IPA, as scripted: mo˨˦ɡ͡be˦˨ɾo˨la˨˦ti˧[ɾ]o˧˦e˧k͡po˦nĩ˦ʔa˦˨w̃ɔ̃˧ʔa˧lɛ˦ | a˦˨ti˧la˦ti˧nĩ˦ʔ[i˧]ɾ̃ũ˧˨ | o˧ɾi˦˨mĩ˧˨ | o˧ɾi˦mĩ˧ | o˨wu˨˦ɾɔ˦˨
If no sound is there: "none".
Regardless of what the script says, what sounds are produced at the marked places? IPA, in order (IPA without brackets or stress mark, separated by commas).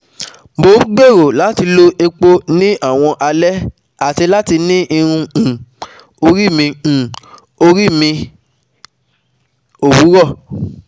l, i˧